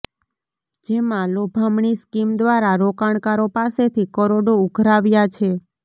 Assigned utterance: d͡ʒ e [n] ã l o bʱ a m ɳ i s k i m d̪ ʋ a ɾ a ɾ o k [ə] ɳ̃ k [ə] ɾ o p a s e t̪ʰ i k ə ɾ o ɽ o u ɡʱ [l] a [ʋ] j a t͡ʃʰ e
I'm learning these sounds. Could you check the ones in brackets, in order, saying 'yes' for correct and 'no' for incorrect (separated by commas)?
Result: no, no, no, no, yes